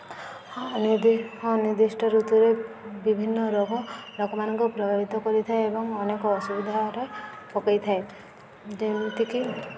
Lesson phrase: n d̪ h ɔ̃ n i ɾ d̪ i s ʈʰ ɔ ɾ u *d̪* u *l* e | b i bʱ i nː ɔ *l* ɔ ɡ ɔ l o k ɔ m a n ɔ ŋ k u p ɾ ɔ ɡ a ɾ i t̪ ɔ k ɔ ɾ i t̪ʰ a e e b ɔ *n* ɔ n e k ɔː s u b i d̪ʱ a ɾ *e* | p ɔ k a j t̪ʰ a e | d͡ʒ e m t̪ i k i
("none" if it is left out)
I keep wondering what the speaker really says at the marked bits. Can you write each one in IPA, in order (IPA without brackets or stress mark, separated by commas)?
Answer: t̪, ɾ, ɾ, ŋ, e